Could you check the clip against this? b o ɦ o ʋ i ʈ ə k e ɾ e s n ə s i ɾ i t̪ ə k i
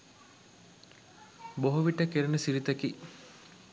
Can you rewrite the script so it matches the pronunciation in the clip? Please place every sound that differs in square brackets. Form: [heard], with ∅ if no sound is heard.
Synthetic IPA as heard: b o ɦ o ʋ i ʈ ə k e ɾ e [∅] n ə s i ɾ i t̪ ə k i